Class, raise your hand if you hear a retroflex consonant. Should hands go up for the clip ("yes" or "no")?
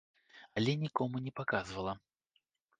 no